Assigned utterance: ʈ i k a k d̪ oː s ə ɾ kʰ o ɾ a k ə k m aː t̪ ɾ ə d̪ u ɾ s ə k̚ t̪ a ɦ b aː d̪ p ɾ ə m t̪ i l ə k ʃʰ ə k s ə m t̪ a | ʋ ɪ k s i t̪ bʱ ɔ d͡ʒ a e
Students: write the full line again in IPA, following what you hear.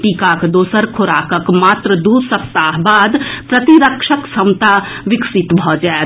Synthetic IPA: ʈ i k a k d̪ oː s ə ɾ kʰ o ɾ a k ə k m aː t̪ ɾ ə d̪ u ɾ s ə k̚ t̪ a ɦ b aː d̪ p ɾ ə t̪ i ɾ ə k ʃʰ ə k s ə m t̪ a | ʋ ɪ k s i t̪ bʱ ɔ d͡ʒ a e